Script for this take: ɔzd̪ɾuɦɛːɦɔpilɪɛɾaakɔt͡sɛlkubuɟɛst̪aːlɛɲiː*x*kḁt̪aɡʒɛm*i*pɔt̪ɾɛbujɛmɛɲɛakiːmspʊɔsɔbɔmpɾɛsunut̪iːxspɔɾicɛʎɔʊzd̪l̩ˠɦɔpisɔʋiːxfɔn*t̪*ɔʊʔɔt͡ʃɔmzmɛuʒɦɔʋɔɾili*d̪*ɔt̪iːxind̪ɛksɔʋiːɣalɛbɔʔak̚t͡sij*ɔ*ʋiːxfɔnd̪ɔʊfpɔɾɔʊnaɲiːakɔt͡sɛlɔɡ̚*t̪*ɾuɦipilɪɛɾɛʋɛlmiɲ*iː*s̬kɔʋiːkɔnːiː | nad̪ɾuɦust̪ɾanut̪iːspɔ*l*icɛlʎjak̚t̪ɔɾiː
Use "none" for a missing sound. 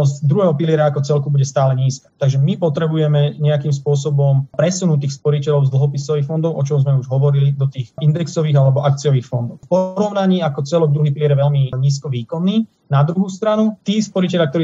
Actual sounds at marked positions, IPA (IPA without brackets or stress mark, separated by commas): s, i, d̪, d̪, ɔ, d̪, iː, ɾ